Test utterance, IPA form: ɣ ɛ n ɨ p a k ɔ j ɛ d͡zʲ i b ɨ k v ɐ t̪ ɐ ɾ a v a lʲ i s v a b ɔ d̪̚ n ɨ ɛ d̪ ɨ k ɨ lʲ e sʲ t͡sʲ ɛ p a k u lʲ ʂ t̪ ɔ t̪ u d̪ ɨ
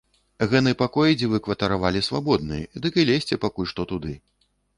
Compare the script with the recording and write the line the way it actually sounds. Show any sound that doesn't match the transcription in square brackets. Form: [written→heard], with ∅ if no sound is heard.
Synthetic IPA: ɣ ɛ n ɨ p a k ɔ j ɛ d͡zʲ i [b→v] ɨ k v ɐ t̪ ɐ ɾ a v a lʲ i s v a b ɔ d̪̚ n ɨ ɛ d̪ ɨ k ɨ lʲ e sʲ t͡sʲ ɛ p a k u lʲ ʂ t̪ ɔ t̪ u d̪ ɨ